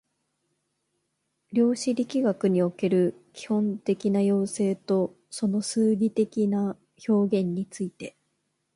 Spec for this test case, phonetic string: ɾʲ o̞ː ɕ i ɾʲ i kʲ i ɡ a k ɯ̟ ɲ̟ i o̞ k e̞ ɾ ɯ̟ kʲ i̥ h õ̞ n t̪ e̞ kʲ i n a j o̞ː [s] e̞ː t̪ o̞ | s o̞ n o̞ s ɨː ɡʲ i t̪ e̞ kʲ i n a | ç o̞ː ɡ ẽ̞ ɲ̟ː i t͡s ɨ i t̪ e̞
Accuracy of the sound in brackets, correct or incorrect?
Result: correct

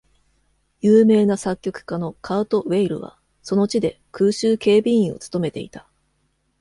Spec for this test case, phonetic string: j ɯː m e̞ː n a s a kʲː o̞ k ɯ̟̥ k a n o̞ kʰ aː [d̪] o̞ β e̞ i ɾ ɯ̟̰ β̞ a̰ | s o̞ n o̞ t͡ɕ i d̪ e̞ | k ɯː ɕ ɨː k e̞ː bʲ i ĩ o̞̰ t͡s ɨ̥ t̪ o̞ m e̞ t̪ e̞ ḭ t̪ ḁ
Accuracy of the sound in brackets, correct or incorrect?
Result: incorrect: t̪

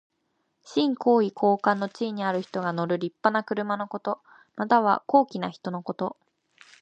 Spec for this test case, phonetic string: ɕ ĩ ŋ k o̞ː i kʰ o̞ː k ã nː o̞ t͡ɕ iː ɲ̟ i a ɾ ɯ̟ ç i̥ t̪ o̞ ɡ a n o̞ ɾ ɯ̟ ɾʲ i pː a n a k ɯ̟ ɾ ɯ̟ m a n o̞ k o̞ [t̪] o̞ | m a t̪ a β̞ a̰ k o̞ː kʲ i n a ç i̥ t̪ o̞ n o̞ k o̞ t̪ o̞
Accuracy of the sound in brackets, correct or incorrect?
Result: correct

